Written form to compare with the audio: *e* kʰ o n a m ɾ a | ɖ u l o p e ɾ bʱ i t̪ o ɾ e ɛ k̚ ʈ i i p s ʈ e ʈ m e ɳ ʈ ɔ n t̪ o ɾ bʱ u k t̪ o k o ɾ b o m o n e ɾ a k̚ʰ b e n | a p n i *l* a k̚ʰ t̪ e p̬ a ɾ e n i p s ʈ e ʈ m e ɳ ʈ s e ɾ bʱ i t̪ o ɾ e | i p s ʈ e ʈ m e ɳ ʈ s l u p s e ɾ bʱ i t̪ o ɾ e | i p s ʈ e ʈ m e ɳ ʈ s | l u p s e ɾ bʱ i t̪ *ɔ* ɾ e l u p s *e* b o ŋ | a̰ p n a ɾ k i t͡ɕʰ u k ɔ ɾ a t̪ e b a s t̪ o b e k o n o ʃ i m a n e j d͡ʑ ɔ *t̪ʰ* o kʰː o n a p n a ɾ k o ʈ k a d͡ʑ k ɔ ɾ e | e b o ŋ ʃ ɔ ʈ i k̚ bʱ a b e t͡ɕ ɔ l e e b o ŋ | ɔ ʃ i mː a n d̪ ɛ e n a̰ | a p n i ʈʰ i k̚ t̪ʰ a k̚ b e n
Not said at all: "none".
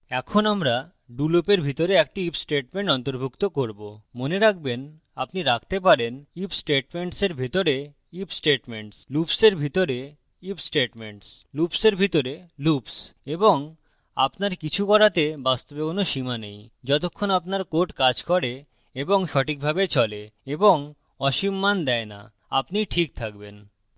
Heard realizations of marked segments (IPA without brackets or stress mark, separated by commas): ɛ, ɾ, o, e, t̪